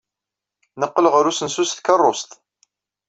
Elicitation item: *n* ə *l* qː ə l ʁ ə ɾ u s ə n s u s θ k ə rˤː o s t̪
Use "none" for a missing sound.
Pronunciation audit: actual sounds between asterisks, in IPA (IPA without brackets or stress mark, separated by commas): n, none